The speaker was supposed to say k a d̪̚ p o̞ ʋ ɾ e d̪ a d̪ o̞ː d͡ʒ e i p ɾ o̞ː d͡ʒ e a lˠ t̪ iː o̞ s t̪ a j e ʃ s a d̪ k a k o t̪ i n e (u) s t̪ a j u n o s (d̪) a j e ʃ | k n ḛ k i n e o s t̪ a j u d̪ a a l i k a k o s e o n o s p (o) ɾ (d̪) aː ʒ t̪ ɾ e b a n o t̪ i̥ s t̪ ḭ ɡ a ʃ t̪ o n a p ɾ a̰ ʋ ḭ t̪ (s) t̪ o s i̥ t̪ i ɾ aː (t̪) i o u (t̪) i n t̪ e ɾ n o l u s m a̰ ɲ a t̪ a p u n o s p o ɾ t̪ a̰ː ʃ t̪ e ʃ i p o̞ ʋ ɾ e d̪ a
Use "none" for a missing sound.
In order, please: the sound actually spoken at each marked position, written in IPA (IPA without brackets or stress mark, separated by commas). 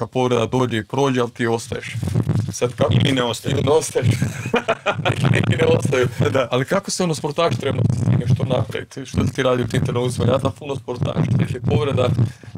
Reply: o, t̪, o, t̪, ʃ, d̪, t̪